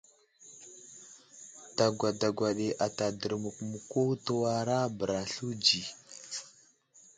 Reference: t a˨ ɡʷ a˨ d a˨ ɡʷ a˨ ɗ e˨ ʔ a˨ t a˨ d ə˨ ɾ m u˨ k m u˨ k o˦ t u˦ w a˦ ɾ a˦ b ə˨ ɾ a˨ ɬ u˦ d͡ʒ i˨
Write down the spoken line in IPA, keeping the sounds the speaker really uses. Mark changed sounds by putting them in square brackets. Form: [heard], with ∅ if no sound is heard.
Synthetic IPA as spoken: t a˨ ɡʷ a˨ d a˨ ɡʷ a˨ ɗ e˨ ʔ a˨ t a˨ d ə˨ ɾ m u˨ k m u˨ k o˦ t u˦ w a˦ ɾ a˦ b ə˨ ɾ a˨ ɬ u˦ d͡ʒ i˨

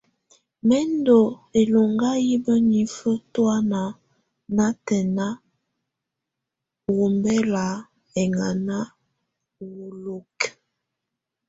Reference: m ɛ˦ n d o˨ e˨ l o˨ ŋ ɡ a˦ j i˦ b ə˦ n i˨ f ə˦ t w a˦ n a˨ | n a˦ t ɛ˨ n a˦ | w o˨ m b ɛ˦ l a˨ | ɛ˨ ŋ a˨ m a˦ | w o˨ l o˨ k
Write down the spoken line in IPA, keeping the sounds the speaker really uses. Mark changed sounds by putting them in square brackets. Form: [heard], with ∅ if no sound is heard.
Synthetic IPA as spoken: m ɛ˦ n d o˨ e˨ l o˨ ŋ ɡ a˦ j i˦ b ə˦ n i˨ f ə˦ t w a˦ n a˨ | n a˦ t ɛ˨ n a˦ | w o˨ m b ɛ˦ l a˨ | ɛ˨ ŋ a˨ [n] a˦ | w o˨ l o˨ k

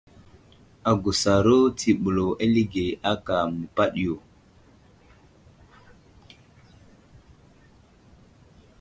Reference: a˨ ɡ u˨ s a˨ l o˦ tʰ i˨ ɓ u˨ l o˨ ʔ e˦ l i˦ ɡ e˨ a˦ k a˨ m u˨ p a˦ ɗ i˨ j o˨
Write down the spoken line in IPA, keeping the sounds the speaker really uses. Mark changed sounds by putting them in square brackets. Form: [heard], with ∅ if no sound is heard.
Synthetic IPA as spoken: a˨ ɡ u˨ s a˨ [ɾ] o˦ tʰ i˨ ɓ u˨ l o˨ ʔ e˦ l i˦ ɡ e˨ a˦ k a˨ m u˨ p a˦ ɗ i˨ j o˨

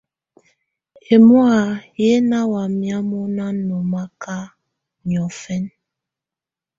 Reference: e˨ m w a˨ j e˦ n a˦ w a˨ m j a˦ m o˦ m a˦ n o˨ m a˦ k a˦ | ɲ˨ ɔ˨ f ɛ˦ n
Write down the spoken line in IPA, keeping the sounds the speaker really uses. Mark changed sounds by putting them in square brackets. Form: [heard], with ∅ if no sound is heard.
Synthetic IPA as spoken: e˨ m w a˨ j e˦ n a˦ w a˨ m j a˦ m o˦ [n] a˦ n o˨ m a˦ k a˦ | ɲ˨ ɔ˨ f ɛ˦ n

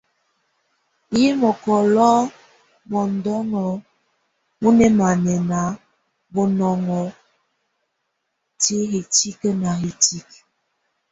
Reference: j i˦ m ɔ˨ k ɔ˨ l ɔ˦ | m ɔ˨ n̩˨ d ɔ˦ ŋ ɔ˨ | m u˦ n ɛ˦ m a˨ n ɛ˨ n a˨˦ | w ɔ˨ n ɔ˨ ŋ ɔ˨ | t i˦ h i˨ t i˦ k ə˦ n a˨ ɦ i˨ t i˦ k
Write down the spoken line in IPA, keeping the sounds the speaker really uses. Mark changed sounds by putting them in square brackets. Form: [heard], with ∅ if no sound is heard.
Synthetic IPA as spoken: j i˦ m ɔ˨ k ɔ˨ l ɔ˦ | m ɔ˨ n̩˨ d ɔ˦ ŋ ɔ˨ | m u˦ n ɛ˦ m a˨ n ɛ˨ n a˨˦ | [b] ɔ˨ n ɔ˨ ŋ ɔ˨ | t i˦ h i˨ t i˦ k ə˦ n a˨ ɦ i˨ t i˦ k

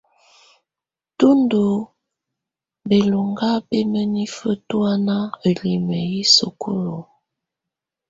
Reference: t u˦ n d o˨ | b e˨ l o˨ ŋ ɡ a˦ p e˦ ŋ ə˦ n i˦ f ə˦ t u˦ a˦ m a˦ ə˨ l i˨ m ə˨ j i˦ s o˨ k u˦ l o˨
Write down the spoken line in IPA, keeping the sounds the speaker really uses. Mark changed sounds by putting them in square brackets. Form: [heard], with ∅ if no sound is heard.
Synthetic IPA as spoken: t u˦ n d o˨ | b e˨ l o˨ ŋ ɡ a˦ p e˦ [m] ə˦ n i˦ f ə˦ t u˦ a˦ [n] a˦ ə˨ l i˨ m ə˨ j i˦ s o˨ k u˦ l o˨

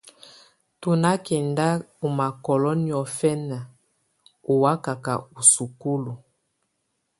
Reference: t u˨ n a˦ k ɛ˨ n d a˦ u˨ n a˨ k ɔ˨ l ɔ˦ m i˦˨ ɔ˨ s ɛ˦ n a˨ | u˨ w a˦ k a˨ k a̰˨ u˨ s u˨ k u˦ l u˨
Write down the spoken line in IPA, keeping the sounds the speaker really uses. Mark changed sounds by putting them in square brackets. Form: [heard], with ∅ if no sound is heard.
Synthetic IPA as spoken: t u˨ n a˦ k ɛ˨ n d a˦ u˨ [m] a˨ k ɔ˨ l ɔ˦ [n] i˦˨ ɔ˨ [f] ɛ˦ n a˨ | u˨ w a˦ k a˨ k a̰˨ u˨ s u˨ k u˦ l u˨

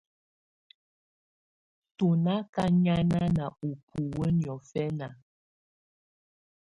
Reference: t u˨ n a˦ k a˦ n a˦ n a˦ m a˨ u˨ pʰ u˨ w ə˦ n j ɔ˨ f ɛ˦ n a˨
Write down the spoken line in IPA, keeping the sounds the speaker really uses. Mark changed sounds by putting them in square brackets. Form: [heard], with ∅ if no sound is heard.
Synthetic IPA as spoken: t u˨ n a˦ k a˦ [ɲ] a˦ n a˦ [n] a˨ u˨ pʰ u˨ w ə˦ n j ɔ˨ f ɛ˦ n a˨

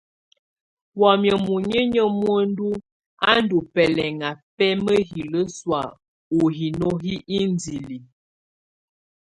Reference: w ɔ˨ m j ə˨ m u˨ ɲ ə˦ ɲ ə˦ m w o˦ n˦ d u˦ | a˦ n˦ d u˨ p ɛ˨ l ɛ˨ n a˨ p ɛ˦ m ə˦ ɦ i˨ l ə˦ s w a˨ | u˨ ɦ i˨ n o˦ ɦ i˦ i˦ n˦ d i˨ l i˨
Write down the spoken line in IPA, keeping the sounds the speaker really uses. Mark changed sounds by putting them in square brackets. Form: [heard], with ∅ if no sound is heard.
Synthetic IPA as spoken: w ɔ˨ m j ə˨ m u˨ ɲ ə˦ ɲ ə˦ m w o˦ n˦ d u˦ | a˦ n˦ d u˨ p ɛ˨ l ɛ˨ [ŋ] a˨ p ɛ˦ m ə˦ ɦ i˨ l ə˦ s w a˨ | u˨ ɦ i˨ n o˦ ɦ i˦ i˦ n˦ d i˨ l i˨

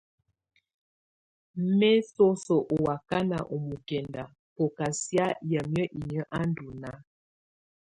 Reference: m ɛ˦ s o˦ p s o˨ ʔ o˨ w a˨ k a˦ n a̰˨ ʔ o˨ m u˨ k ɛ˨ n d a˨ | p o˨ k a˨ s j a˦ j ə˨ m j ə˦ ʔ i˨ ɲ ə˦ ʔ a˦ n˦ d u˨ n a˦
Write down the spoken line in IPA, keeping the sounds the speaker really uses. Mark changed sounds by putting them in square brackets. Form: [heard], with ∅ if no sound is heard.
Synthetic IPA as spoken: m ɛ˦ s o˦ [∅] s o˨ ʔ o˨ w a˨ k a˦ n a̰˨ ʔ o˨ m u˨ k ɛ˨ n d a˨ | p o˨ k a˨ s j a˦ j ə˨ m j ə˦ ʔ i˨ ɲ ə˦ ʔ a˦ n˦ d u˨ n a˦

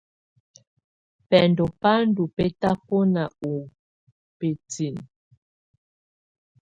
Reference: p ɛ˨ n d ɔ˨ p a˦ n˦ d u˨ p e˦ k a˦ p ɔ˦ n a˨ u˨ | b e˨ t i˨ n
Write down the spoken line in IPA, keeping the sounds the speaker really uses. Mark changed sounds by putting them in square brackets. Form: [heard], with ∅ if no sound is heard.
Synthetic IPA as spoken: p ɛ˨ n d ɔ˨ p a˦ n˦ d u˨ p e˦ [t] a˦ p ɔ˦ n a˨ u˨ | [p] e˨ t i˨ n

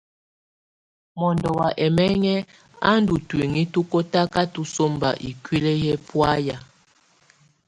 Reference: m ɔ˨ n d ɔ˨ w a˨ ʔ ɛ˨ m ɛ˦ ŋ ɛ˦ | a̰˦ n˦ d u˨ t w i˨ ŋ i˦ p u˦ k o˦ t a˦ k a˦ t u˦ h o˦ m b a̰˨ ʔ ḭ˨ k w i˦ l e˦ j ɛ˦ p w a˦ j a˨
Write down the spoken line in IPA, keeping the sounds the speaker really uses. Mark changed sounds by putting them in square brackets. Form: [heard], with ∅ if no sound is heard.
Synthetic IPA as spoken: m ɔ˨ n d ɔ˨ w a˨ ʔ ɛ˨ m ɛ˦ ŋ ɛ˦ | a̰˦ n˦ d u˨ t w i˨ ŋ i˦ [t] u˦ k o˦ t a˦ k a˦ t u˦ [s] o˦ m b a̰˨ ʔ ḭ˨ k w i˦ l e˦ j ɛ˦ p w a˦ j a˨

